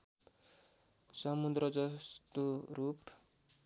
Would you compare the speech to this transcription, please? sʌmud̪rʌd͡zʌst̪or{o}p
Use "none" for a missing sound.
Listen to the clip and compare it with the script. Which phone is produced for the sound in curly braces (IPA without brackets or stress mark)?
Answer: u